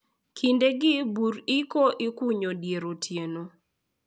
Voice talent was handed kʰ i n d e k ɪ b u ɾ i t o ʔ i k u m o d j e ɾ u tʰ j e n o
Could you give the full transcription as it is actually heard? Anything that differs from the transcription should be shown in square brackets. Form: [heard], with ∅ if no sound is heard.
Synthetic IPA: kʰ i n d e [ɡ] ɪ b u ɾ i [k] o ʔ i k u [ɲ] o d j e ɾ [o] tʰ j e n o